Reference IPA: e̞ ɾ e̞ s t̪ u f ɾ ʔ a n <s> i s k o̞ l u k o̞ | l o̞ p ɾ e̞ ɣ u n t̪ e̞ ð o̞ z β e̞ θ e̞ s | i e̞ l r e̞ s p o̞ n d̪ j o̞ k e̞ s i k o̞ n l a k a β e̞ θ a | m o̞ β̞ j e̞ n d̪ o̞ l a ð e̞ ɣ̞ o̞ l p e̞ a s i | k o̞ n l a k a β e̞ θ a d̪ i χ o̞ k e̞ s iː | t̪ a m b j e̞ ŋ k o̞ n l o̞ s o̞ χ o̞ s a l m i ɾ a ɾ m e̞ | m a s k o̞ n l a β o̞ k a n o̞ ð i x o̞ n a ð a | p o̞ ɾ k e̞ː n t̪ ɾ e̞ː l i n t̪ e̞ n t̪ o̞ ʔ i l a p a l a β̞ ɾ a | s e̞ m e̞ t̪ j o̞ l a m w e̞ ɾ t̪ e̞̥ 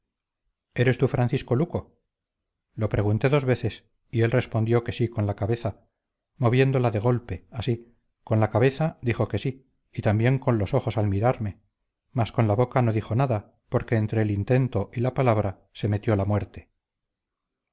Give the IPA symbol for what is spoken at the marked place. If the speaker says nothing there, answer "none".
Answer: θ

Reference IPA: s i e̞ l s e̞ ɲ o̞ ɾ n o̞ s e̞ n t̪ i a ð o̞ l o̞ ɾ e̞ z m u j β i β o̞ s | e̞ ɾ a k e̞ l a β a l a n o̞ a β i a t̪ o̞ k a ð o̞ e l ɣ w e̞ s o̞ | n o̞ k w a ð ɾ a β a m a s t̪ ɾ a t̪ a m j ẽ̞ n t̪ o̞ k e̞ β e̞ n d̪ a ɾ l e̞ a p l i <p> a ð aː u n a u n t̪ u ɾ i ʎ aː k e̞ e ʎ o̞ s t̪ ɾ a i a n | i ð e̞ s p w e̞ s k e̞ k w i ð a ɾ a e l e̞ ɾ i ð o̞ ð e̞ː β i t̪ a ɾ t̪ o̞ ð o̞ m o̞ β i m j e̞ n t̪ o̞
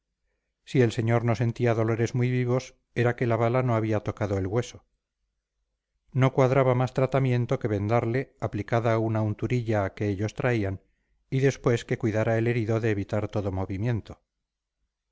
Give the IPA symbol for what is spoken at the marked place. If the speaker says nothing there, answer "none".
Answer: k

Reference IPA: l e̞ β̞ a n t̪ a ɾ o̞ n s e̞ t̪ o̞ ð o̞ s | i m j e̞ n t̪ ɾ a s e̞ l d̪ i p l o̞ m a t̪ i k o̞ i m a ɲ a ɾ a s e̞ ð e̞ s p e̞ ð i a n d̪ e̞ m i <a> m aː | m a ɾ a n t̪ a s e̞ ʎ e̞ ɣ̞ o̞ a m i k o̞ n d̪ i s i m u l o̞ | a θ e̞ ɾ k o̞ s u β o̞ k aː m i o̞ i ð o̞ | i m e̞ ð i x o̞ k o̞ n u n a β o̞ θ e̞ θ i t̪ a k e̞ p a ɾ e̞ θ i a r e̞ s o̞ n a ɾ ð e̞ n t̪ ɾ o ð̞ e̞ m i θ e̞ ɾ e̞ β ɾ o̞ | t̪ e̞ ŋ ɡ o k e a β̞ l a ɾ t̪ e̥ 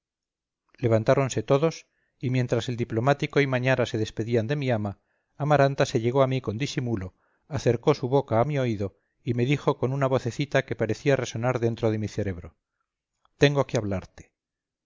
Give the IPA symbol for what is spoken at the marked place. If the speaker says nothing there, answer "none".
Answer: a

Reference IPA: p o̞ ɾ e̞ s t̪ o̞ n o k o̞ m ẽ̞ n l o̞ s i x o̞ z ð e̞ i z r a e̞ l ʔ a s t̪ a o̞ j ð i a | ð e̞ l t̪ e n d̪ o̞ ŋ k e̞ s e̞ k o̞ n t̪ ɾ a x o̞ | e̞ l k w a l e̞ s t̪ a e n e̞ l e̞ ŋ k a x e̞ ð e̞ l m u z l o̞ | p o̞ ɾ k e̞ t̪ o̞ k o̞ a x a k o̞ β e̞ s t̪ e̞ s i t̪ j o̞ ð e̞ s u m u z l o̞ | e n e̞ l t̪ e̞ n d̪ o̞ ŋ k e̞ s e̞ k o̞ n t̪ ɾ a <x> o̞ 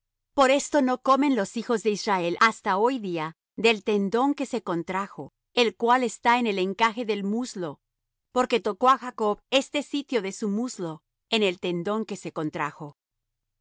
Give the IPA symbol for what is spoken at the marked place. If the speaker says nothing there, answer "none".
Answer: x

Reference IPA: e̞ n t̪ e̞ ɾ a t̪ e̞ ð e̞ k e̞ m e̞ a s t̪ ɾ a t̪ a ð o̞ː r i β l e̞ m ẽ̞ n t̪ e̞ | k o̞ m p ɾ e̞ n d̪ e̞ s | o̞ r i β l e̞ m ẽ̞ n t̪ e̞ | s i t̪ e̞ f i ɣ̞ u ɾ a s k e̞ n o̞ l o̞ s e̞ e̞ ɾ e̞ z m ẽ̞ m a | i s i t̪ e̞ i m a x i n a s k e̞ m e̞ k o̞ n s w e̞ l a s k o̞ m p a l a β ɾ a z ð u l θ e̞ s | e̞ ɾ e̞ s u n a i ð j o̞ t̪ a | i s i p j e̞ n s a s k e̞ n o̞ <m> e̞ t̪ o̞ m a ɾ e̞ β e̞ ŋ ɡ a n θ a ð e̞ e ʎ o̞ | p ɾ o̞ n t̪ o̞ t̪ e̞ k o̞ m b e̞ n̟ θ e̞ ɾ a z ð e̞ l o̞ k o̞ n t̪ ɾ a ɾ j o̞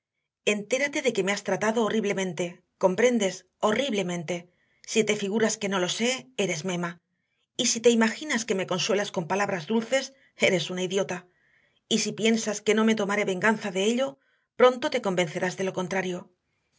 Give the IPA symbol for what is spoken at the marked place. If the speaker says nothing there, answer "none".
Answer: m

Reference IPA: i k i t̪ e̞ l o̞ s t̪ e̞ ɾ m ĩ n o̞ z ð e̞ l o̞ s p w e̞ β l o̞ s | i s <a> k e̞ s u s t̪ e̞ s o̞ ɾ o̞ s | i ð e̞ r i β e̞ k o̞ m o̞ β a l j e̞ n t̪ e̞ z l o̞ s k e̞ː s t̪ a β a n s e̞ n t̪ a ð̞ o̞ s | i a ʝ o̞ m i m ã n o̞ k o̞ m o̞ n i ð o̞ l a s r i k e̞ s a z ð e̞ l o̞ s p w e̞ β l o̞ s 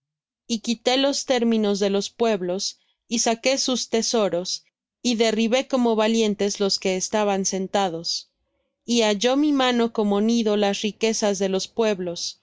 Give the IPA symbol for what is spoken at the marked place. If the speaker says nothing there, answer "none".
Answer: a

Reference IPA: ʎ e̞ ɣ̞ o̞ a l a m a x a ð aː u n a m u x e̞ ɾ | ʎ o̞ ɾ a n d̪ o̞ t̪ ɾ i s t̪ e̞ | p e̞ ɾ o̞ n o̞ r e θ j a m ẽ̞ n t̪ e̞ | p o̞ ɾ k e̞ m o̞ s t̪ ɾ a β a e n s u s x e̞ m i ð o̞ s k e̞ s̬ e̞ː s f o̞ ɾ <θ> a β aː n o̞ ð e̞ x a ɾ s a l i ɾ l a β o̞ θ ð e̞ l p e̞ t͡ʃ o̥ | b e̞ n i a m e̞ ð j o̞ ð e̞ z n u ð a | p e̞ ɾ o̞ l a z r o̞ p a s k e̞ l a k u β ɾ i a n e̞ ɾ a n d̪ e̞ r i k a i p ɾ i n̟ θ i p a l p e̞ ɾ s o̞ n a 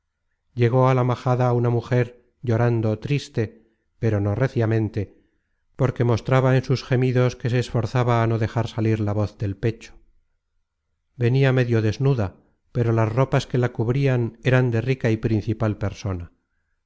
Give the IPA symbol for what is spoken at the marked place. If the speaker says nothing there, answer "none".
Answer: θ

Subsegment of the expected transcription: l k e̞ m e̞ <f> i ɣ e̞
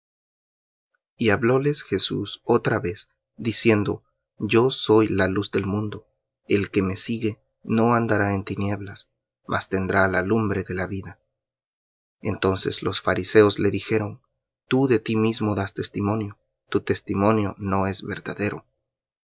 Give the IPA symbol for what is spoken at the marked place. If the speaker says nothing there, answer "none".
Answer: s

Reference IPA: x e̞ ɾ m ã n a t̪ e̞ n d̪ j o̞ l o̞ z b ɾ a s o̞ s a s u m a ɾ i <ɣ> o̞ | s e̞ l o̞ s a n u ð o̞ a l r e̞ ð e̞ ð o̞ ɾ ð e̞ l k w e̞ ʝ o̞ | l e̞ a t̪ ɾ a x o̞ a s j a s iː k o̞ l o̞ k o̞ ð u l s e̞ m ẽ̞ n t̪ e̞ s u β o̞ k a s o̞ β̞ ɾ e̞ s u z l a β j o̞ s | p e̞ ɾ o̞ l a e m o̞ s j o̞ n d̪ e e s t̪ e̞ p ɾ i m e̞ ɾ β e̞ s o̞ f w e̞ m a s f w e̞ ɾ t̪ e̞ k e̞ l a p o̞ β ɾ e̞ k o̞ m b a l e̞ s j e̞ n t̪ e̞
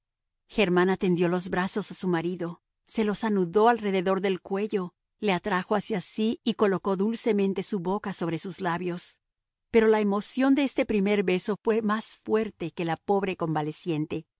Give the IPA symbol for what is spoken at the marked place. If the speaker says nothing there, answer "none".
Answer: ð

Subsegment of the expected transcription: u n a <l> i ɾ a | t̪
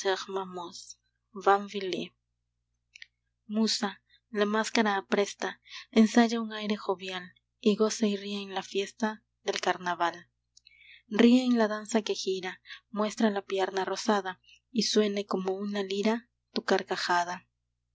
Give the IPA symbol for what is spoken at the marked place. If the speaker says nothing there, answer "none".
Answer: l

